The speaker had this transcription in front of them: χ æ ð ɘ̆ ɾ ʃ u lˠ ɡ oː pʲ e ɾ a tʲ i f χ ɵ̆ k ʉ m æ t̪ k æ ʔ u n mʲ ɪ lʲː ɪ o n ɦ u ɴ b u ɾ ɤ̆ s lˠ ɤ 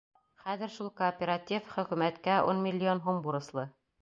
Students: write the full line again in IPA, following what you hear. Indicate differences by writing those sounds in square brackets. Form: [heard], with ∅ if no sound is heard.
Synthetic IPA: χ æ ð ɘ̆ ɾ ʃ u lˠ [k] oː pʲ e ɾ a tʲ i f χ ɵ̆ k ʉ m æ t̪ k æ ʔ u n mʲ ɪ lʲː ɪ o n ɦ u [m] b u ɾ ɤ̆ s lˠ ɤ